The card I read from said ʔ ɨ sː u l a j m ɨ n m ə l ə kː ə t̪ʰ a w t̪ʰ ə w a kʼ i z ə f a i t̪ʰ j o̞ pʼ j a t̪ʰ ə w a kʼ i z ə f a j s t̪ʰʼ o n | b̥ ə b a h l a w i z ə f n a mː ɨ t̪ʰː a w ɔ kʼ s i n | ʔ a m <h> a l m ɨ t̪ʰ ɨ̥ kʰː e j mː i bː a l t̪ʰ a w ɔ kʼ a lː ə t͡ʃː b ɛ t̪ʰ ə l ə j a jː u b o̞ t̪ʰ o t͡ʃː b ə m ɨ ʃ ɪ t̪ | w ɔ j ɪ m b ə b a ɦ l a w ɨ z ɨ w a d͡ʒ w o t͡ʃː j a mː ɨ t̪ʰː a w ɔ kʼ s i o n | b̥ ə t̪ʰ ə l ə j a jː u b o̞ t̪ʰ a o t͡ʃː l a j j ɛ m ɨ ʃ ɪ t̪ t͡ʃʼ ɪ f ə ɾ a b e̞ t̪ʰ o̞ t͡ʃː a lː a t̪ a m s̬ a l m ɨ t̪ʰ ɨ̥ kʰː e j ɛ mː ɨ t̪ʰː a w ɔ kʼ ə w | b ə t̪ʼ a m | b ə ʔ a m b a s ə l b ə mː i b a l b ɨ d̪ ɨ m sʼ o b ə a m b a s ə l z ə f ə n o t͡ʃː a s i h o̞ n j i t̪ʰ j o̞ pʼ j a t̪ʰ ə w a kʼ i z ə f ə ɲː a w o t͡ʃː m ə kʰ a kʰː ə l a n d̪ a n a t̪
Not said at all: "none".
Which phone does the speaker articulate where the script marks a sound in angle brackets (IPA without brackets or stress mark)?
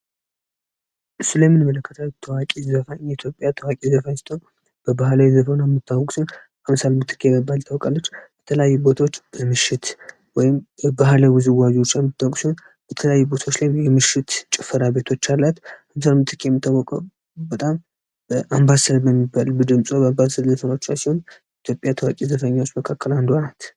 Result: s